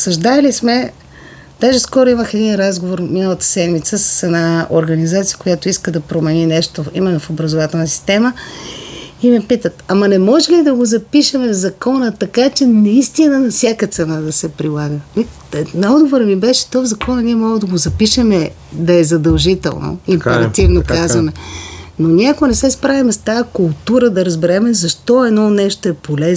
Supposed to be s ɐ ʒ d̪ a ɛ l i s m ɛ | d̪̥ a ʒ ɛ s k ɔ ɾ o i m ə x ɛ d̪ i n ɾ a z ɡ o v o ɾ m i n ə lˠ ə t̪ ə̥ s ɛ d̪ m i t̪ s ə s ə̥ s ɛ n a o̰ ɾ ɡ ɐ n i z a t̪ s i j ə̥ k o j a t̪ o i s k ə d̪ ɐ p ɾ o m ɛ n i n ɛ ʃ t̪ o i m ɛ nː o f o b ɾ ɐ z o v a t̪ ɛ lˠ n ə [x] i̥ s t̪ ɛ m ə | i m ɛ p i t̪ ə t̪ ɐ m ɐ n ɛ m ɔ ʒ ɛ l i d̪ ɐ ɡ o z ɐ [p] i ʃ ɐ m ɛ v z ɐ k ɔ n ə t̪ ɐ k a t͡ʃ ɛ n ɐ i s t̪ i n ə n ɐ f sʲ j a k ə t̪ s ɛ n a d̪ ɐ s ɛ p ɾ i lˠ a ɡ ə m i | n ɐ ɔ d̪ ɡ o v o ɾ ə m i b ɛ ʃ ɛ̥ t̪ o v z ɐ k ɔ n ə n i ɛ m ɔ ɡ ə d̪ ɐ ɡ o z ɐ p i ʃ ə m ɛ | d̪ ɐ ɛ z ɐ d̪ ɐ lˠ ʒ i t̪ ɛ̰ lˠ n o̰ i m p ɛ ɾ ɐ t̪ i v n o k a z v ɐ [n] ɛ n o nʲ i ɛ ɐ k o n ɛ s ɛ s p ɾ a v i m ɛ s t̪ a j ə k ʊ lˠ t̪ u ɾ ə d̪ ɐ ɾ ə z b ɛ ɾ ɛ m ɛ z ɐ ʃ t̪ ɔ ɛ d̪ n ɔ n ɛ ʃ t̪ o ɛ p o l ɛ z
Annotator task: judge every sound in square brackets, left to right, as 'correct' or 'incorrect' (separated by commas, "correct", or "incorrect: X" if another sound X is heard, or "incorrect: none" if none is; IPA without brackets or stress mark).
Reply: incorrect: s, correct, incorrect: m